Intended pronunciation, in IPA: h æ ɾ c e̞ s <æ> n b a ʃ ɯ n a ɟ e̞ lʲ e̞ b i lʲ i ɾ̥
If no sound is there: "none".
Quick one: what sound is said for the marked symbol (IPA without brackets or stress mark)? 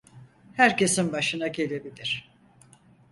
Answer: i